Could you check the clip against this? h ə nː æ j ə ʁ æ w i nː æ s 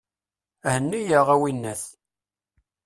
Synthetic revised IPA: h ə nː i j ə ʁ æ w i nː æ θ